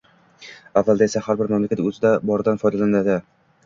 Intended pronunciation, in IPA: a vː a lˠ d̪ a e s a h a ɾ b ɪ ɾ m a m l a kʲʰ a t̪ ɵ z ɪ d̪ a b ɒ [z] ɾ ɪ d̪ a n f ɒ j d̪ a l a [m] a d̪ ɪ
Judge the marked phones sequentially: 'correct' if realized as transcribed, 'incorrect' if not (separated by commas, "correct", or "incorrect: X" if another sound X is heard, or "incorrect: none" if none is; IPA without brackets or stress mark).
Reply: incorrect: none, incorrect: n